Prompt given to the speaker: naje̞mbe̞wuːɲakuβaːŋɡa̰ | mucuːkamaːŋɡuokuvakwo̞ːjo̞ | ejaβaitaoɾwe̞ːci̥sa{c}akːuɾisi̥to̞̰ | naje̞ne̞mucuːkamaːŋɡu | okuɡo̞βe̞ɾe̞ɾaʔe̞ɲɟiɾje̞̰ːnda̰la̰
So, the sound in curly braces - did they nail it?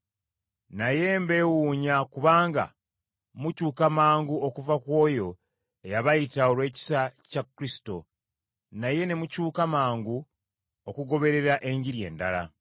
yes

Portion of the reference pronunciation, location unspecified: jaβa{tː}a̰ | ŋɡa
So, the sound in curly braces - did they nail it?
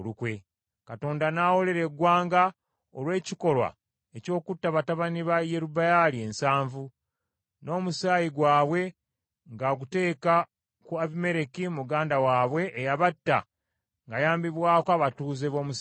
yes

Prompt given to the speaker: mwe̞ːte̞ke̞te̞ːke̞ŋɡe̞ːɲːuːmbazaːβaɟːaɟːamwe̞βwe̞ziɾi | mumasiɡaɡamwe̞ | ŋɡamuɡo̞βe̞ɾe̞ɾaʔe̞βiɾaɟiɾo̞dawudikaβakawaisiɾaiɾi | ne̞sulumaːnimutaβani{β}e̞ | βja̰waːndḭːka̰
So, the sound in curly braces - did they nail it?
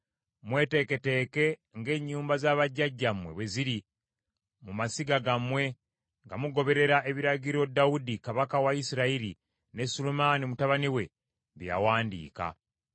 no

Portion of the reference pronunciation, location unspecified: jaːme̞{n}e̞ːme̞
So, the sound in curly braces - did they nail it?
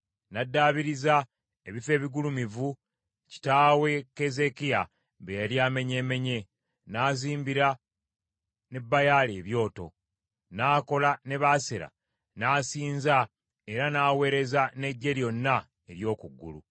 no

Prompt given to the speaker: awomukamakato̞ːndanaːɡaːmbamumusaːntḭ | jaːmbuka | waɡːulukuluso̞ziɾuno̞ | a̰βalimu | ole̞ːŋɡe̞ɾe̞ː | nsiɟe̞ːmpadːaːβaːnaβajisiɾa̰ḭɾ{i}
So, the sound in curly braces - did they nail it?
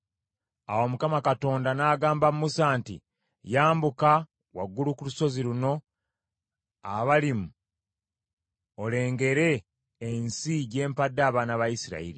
yes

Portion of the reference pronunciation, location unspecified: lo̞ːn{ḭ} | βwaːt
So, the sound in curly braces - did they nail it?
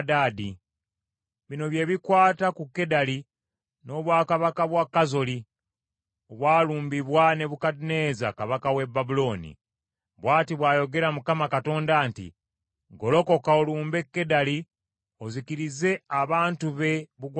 yes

